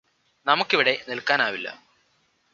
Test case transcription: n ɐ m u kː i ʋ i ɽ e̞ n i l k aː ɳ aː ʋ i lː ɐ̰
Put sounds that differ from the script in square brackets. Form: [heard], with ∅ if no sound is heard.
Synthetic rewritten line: n ɐ m u kː i ʋ i ɽ e̞ n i l k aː [n] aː ʋ i lː ɐ̰

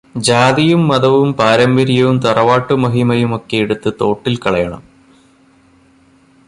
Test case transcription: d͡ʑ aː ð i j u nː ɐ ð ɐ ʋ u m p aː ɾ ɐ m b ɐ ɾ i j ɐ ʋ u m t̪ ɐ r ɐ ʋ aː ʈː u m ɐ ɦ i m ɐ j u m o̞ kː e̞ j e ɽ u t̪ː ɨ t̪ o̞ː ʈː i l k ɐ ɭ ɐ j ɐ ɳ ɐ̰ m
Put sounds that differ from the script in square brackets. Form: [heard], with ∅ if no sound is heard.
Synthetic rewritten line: d͡ʑ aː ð i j u [mː] ɐ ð ɐ ʋ u m p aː ɾ ɐ m b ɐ ɾ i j ɐ ʋ u m t̪ ɐ r ɐ ʋ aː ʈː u m ɐ ɦ i m ɐ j u m o̞ kː e̞ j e ɽ u t̪ː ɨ t̪ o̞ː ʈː i l k ɐ ɭ ɐ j ɐ ɳ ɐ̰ m

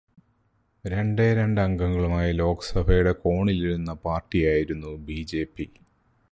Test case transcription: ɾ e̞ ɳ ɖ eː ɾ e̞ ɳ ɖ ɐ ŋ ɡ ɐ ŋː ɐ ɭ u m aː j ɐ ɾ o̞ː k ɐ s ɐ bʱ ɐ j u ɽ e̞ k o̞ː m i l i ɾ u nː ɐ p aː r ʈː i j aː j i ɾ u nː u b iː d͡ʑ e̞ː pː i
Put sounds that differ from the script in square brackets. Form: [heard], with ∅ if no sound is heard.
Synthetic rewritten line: ɾ e̞ ɳ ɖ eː ɾ e̞ ɳ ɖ ɐ ŋ ɡ ɐ ŋː ɐ ɭ u m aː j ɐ [l] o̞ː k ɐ s ɐ bʱ ɐ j u ɽ e̞ k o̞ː [ɳ] i l i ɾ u nː ɐ p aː r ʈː i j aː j i ɾ u nː u b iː d͡ʑ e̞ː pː i

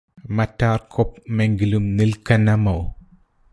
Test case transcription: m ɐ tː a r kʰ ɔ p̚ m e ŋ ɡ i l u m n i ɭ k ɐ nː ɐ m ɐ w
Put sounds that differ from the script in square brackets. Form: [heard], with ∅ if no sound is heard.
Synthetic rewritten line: m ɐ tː a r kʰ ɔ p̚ m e ŋ ɡ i l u m n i [l] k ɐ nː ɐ m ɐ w

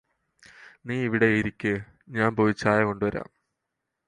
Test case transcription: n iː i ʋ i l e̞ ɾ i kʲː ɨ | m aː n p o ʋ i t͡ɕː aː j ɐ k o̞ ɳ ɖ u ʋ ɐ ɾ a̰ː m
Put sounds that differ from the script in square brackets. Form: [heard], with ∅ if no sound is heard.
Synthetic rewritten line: n iː i ʋ i [ɽ] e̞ ɾ i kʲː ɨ | [ɲ] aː n p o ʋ i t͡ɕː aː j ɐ k o̞ ɳ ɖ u ʋ ɐ ɾ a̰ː m

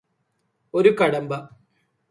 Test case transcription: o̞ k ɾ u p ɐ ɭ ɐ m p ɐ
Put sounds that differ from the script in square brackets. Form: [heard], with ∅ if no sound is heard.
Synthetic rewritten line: o̞ [∅] ɾ u [k] ɐ [ɽ] ɐ m [b] ɐ

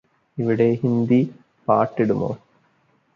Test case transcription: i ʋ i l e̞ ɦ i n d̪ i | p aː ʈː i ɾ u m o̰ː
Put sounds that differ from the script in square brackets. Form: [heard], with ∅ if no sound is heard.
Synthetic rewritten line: i ʋ i [ɽ] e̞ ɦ i n d̪ i | p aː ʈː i [ɽ] u m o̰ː

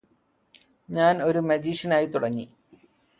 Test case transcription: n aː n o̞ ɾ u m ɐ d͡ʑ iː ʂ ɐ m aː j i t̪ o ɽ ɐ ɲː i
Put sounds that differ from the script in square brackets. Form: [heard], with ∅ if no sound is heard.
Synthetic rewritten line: [ɲ] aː n o̞ ɾ u m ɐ d͡ʑ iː ʂ ɐ [n] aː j i t̪ [u] ɽ ɐ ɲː i

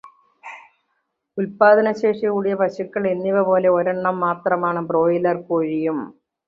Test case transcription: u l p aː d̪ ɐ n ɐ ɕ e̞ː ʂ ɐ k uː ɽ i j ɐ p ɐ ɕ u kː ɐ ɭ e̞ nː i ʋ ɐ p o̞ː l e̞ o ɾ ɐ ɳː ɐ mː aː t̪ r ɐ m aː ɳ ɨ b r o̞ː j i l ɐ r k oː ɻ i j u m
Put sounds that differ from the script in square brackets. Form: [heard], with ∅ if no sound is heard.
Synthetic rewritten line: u l p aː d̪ ɐ n ɐ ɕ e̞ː ʂ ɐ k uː ɽ i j ɐ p ɐ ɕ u kː ɐ ɭ e̞ nː i ʋ ɐ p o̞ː l e̞ o ɾ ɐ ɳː ɐ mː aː t̪ r ɐ m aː ɳ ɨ b r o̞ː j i l ɐ r k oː ɻ i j u m

